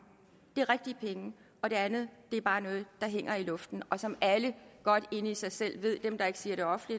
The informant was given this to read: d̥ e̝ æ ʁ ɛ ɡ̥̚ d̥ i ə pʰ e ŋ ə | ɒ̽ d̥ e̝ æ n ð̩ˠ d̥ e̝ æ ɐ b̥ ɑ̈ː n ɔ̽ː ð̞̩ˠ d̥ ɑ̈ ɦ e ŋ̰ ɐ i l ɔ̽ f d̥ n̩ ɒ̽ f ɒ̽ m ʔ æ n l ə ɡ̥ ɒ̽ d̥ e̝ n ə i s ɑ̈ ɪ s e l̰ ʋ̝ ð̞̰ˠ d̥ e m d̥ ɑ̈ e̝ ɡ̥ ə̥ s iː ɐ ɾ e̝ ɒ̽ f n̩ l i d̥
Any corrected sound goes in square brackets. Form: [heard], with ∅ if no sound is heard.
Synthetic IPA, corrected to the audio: d̥ e̝ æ ʁ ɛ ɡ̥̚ d̥ i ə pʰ e ŋ ə | ɒ̽ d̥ e̝ æ n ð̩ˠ d̥ e̝ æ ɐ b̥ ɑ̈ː n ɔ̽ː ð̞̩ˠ d̥ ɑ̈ ɦ e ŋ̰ ɐ i l ɔ̽ f d̥ n̩ ɒ̽ [s] ɒ̽ m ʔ æ [∅] l ə ɡ̥ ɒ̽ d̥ e̝ n ə i s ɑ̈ ɪ s e l̰ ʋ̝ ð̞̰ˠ d̥ e m d̥ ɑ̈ e̝ ɡ̥ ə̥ s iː ɐ ɾ e̝ ɒ̽ f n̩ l i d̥